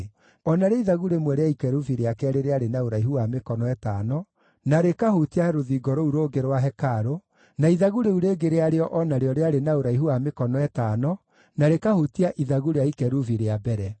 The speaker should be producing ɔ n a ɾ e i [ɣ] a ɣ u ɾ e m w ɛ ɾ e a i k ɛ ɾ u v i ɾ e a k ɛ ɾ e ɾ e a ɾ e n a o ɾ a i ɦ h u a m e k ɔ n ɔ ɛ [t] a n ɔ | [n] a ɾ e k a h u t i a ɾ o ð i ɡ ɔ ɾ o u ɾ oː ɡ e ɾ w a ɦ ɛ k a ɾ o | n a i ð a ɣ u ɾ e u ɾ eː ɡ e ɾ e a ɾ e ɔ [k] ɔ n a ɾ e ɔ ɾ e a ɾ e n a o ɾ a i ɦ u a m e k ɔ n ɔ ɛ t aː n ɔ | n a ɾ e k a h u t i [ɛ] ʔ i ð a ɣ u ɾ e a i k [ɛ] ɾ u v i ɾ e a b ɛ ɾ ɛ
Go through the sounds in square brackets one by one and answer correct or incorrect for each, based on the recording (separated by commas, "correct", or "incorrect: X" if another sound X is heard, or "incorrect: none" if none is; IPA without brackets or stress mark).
incorrect: ð, correct, correct, incorrect: ʔ, incorrect: a, correct